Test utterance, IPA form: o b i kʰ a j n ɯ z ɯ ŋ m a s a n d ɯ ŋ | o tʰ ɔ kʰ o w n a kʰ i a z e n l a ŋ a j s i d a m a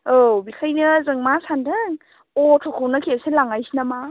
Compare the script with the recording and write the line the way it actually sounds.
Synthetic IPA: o b i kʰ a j n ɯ z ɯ ŋ m a s a n d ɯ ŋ | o tʰ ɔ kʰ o w n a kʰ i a s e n l a ŋ a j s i n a m a